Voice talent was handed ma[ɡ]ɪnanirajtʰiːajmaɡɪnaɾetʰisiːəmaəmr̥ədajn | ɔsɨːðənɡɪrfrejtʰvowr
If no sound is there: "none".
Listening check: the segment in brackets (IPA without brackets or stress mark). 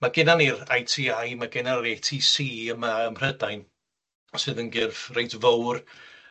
ɡ